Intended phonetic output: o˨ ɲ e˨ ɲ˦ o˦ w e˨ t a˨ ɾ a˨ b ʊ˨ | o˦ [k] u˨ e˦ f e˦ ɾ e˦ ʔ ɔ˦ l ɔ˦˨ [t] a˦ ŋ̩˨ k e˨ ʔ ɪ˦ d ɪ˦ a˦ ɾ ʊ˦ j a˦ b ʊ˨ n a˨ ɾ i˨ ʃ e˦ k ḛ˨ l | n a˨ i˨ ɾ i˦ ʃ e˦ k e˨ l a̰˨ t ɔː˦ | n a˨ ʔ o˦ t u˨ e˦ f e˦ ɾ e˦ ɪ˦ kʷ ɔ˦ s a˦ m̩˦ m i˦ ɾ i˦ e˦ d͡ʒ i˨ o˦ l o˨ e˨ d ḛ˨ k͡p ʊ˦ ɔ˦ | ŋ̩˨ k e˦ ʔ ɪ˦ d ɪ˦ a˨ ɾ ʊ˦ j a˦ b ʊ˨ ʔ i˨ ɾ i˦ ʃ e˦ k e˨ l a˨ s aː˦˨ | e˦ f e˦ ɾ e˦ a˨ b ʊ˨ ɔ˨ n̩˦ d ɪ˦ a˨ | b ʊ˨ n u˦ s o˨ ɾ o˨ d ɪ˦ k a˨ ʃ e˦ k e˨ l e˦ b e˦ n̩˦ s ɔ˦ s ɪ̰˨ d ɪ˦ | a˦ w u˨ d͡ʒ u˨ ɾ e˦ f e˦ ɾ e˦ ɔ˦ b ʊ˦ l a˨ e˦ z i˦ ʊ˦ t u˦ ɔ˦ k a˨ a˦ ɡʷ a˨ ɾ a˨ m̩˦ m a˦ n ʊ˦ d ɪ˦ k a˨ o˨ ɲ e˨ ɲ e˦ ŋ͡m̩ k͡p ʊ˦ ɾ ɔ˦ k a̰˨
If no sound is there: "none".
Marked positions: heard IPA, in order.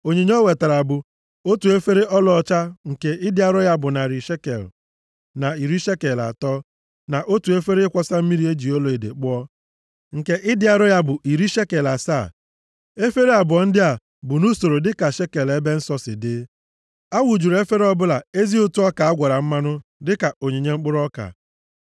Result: t, t͡ʃ

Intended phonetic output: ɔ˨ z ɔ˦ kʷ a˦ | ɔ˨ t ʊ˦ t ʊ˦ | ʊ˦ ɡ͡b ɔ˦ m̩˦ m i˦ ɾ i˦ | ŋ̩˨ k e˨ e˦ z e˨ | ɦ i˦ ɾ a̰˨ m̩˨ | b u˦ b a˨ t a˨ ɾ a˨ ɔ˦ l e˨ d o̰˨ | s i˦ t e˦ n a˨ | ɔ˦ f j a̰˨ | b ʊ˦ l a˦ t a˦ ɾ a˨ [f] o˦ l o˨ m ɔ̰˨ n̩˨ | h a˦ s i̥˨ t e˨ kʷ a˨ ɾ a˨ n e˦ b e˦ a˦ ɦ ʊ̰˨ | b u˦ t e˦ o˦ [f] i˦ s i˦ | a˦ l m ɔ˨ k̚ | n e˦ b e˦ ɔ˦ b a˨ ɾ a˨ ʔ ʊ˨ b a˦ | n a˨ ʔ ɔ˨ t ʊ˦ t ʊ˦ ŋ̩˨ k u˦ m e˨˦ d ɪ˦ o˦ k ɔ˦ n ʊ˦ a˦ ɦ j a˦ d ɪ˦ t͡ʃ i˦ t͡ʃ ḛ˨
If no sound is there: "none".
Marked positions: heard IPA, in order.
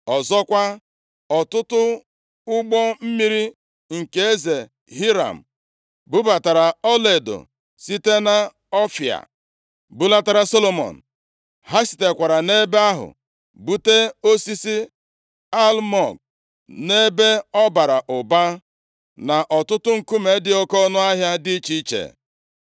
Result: s, s

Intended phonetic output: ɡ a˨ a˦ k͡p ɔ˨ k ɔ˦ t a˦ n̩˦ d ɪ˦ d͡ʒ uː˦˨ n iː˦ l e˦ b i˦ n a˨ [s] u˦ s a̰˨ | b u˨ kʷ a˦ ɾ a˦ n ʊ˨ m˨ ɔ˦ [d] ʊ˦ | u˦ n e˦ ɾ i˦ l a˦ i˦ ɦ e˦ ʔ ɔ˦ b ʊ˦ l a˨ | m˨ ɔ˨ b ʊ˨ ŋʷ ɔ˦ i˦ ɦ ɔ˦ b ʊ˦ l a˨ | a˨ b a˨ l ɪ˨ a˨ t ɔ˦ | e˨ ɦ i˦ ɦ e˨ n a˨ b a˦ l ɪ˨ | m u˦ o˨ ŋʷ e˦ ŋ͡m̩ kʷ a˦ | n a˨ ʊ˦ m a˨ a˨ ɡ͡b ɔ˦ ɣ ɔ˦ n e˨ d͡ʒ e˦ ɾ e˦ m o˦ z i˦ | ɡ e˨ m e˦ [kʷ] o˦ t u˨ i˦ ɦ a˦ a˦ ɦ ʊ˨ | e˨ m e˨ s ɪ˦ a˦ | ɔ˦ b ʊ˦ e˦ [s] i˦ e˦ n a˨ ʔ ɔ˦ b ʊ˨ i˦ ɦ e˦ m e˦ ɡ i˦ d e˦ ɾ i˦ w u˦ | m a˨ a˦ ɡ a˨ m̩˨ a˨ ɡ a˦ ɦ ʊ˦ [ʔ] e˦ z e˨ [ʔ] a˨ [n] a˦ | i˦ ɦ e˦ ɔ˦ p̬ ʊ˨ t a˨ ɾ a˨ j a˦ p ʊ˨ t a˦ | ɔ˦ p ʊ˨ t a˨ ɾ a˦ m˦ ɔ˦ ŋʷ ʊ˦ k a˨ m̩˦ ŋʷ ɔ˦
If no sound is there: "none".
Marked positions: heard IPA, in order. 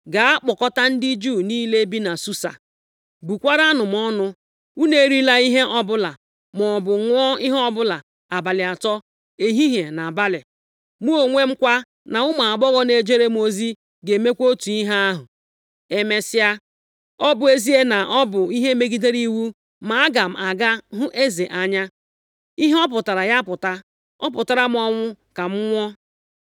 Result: s, n, kʷ, z, ʔ, ʔ, ɲ

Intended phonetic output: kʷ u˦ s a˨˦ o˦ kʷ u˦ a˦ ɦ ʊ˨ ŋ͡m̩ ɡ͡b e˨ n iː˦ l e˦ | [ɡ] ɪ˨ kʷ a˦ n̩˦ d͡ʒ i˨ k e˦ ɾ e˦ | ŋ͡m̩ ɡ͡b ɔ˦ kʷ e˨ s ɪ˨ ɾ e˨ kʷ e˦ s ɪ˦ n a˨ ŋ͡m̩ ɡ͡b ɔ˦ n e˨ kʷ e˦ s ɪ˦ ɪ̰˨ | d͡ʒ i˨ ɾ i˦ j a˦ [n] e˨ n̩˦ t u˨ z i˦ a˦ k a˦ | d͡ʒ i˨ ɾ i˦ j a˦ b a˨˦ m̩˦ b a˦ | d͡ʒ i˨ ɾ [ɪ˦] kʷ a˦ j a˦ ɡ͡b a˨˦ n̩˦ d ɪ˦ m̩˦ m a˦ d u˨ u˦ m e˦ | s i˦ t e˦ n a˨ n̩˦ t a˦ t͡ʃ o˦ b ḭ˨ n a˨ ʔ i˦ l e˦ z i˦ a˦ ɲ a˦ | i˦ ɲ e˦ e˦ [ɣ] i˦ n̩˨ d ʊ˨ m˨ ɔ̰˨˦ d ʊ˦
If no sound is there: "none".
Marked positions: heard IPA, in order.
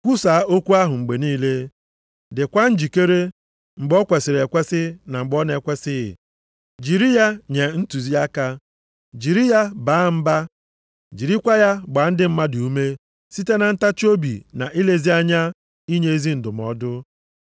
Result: d, ɲ, i˦, z

